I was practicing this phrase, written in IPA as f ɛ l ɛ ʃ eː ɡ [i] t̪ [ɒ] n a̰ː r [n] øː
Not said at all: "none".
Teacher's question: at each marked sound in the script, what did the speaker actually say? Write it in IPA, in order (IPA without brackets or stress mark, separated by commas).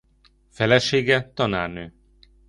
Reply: ɛ, ɒ, n